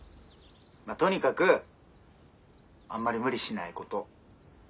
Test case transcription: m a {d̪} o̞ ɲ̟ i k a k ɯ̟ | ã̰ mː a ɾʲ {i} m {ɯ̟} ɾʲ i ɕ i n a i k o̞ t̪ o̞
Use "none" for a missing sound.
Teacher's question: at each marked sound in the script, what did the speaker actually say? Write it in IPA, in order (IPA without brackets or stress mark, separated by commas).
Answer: t̪, i, ɯ̟